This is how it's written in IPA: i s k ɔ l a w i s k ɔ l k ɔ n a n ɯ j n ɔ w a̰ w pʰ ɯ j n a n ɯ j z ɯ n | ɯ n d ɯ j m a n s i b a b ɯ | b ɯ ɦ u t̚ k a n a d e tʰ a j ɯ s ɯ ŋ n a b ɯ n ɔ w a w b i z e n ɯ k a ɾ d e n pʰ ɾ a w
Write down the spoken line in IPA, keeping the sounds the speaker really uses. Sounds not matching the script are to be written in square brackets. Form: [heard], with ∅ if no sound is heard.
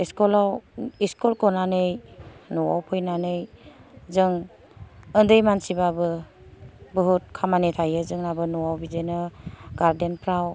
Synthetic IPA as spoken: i s k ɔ l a w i s k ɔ l k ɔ n a n ɯ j n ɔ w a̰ w pʰ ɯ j n a n ɯ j z ɯ [ŋ] | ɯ n d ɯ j m a n s i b a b ɯ | b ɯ ɦ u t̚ [kʰ] a [m] a [n] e tʰ a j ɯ [z] ɯ ŋ n a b ɯ n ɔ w a w b i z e n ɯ [ɡ] a ɾ d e n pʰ ɾ a w